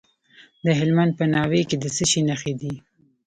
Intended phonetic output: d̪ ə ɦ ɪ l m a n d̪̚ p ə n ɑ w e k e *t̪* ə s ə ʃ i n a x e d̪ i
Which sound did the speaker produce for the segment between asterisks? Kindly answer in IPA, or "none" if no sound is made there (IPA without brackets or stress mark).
d̪